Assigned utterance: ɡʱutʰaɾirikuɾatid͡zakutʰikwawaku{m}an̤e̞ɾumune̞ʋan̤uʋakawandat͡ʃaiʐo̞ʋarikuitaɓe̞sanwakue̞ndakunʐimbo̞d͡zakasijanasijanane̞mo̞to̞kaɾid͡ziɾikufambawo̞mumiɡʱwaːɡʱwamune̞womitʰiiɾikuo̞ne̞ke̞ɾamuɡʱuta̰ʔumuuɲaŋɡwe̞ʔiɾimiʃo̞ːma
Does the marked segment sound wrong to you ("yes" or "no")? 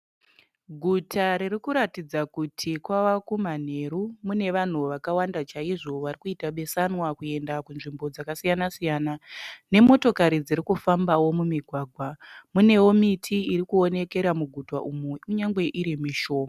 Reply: no